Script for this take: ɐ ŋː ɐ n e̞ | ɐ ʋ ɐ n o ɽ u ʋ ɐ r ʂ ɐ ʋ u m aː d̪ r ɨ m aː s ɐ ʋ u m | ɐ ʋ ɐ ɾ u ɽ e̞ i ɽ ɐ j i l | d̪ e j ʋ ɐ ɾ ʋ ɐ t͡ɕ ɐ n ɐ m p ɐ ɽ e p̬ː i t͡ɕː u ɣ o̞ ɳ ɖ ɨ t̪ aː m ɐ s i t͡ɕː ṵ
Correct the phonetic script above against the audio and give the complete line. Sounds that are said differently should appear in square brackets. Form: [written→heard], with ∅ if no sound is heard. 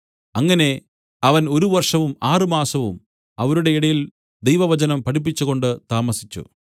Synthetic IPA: ɐ ŋː ɐ n e̞ | ɐ ʋ ɐ n o [ɽ→ɾ] u ʋ ɐ r ʂ ɐ ʋ u m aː [d̪→∅] r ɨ m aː s ɐ ʋ u m | ɐ ʋ ɐ ɾ u ɽ e̞ i ɽ ɐ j i l | d̪ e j ʋ ɐ [ɾ→∅] ʋ ɐ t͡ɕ ɐ n ɐ m p ɐ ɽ [e→i] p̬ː i t͡ɕː u ɣ o̞ ɳ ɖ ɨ t̪ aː m ɐ s i t͡ɕː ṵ